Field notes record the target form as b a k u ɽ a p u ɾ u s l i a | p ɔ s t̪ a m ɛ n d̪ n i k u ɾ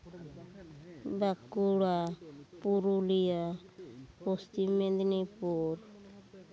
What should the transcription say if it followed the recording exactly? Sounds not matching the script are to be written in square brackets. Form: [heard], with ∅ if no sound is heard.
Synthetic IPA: b a k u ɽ a p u ɾ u [∅] l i a | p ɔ s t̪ [i] m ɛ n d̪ n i [p] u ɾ

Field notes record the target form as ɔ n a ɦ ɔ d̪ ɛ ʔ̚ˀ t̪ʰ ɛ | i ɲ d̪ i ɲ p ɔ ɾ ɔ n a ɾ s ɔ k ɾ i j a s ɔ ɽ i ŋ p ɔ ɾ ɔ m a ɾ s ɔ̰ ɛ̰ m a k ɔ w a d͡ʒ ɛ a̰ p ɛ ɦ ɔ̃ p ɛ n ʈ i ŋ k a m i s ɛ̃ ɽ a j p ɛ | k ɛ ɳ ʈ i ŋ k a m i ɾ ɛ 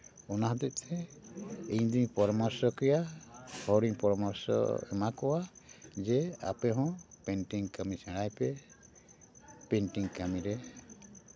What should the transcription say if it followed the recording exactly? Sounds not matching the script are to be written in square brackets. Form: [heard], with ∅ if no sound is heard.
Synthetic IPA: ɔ n a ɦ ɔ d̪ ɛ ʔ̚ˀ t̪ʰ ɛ | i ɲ d̪ i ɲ p ɔ ɾ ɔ [m] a ɾ s ɔ k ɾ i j a [h] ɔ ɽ i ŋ p ɔ ɾ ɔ m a ɾ s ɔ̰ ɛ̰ m a k ɔ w a d͡ʒ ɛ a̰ p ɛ ɦ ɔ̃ p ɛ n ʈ i ŋ k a m i s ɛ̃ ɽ a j p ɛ | [p] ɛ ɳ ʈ i ŋ k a m i ɾ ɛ

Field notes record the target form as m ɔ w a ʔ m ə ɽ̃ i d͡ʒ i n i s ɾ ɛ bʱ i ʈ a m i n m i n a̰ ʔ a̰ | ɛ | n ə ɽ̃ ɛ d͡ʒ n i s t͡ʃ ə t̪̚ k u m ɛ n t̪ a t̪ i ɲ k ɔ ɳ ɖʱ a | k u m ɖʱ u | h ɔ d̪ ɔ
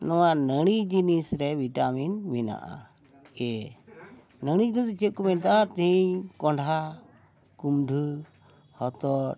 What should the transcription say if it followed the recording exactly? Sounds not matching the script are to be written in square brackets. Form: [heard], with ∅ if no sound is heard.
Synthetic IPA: [n] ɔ w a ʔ [n] ə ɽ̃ i d͡ʒ i n i s ɾ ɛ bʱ i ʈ a m i n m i n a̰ ʔ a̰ | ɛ | n ə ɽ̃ [i] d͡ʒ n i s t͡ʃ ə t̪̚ k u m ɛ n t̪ a t̪ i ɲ k ɔ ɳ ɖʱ a | k u m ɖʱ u | h ɔ [t̪] ɔ

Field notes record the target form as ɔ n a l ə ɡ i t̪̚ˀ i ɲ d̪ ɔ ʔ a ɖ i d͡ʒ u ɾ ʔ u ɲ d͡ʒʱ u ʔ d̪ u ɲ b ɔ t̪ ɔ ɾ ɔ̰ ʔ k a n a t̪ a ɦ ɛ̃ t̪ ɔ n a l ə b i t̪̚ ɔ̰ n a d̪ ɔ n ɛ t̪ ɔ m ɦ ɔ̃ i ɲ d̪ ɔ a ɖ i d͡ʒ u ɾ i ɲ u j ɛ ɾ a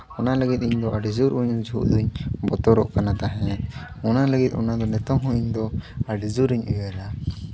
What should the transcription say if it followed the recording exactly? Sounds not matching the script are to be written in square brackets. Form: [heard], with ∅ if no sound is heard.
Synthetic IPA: ɔ n a l ə ɡ i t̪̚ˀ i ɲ d̪ ɔ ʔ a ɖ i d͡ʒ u ɾ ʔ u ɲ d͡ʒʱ u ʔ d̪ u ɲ b ɔ t̪ ɔ ɾ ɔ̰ ʔ k a n a t̪ a ɦ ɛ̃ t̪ ɔ n a l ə [ɡ] i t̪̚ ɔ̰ n a d̪ ɔ n ɛ t̪ ɔ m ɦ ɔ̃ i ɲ d̪ ɔ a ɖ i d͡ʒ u ɾ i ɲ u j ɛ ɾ a

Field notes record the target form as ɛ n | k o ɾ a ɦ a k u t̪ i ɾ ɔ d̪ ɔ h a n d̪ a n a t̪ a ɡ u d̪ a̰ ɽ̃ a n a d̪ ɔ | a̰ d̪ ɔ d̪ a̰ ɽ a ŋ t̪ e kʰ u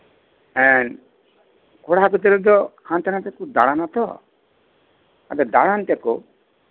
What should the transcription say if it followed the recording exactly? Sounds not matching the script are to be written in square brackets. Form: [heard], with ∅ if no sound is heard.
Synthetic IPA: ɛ n | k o [ɽ] a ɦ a k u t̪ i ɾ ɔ d̪ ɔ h a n [t̪] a n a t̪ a [k] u d̪ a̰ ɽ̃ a n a [t̪] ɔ | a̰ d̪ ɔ d̪ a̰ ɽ a [n] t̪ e [k] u

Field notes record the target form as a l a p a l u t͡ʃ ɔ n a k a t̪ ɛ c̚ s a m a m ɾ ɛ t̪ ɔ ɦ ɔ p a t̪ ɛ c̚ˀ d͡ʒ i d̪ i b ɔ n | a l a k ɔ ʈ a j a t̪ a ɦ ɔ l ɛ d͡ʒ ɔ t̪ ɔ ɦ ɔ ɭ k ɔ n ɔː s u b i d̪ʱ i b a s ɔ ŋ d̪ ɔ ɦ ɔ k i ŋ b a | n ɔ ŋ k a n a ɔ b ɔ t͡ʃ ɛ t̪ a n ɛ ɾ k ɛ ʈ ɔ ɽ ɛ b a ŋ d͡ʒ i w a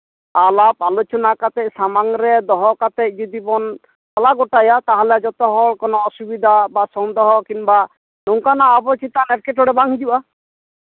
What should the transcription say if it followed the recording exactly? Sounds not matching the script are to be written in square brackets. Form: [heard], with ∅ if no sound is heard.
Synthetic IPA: a l a p a l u t͡ʃ ɔ n a k a t̪ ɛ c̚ s a m a [ŋ] ɾ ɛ [d̪] ɔ ɦ ɔ [k] a t̪ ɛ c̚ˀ d͡ʒ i d̪ i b ɔ n | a l a [ɡ] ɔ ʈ a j a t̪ a ɦ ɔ l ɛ d͡ʒ ɔ t̪ ɔ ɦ ɔ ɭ k ɔ n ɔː s u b i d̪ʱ [a] b a s ɔ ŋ d̪ ɔ ɦ ɔ k i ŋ b a | n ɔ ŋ k a n a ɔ b ɔ t͡ʃ [i] t̪ a n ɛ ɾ k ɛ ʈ ɔ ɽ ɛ b a ŋ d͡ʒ i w a

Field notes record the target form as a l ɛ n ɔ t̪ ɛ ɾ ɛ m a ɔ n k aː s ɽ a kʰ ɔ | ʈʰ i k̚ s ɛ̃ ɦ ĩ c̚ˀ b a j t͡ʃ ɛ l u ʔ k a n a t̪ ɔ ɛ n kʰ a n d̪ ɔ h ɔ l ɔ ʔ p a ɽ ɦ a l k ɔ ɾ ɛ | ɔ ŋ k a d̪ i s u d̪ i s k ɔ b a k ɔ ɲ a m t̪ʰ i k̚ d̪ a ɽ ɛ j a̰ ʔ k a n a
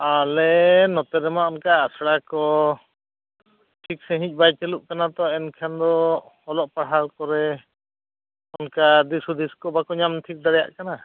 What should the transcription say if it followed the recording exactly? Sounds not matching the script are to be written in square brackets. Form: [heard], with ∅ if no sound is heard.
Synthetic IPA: a l ɛ n ɔ t̪ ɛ ɾ ɛ m a ɔ n k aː s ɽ a [k] ɔ | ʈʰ i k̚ s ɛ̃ ɦ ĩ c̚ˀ b a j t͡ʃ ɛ l u ʔ k a n a t̪ ɔ ɛ n kʰ a n d̪ ɔ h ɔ l ɔ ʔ p a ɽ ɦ a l k ɔ ɾ ɛ | ɔ [n] k a d̪ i s u d̪ i s k ɔ b a k ɔ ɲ a m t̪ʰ i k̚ d̪ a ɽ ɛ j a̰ ʔ k a n a

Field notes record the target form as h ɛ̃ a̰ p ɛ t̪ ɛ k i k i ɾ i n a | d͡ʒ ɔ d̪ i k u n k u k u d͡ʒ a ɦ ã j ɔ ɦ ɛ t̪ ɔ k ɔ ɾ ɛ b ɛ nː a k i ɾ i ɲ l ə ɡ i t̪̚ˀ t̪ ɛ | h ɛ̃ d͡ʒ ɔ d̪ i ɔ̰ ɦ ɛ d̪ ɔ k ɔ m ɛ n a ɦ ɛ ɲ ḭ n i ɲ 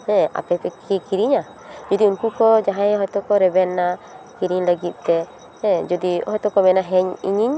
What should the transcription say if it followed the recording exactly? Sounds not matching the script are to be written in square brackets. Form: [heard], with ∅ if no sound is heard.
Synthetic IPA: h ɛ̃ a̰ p ɛ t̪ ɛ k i k i ɾ i [ɲ] a | d͡ʒ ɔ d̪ i [∅] u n k u k [ɔ] d͡ʒ a ɦ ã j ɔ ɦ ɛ t̪ ɔ k ɔ ɾ ɛ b ɛ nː a k i ɾ i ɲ l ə ɡ i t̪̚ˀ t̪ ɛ | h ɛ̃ d͡ʒ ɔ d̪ i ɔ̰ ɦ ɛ [t̪] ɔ k ɔ m ɛ n a ɦ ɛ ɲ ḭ [ɲ] i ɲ

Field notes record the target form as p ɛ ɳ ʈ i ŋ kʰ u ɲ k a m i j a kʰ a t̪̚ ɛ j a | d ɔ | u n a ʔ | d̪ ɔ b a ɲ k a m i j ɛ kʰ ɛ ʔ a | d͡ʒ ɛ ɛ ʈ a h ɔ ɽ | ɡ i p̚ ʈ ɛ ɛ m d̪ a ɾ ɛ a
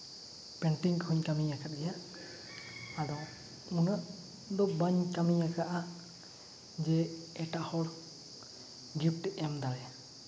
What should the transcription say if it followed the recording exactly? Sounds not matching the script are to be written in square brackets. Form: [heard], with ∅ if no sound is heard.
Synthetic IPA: p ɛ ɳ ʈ i ŋ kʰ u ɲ k a m i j a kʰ a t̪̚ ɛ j a | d ɔ | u n a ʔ | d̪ ɔ b a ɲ k a m i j [a] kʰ [a] ʔ a | d͡ʒ ɛ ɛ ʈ a h ɔ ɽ | ɡ i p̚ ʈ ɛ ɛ m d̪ a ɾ ɛ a

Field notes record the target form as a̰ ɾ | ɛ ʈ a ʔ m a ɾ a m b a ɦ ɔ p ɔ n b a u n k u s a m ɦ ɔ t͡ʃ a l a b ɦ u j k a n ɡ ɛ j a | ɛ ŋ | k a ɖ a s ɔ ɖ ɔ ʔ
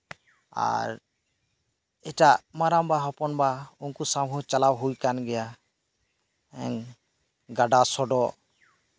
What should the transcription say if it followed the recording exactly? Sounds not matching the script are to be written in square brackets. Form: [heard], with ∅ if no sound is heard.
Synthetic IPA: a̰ ɾ | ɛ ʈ a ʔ m a ɾ a m b a ɦ ɔ p ɔ n b a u n k u s a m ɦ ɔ t͡ʃ a l a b ɦ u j k a n ɡ ɛ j a | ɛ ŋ | [ɡ] a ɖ a s ɔ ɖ ɔ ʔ

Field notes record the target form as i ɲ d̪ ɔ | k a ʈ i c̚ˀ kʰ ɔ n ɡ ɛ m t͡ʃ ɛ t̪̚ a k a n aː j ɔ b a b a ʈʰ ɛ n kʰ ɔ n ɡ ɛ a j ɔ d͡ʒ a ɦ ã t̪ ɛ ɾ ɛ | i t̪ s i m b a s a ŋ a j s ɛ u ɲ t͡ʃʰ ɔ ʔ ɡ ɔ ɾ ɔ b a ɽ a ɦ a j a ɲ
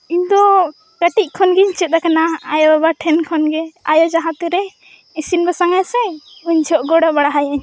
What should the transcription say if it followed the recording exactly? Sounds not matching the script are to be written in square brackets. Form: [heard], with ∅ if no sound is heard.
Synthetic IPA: i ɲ d̪ ɔ | k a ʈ i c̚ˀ kʰ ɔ n ɡ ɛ [ɲ] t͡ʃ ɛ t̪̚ a k a n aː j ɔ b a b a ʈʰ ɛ n kʰ ɔ n ɡ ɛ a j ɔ d͡ʒ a ɦ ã t̪ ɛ ɾ ɛ | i [∅] s i [n] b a s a ŋ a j s ɛ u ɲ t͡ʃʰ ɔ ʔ ɡ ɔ [ɽ] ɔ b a ɽ a ɦ a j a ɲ

